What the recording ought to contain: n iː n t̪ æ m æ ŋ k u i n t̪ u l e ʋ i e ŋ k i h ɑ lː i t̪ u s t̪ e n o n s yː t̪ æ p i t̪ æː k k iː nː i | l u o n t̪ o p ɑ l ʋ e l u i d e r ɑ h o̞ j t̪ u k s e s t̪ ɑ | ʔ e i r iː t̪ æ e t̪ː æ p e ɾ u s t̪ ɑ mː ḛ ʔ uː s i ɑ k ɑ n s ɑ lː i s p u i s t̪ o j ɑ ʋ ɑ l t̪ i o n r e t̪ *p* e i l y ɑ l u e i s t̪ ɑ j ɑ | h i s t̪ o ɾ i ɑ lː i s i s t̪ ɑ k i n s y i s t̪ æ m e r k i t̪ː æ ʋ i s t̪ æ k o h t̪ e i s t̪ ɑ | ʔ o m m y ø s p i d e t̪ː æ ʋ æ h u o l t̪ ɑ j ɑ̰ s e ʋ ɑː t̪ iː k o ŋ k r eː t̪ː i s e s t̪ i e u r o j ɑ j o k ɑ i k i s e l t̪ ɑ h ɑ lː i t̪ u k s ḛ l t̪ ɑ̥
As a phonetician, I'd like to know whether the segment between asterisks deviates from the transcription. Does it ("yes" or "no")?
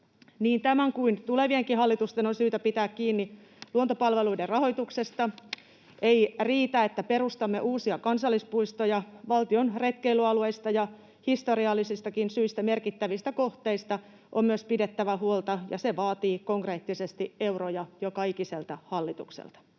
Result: yes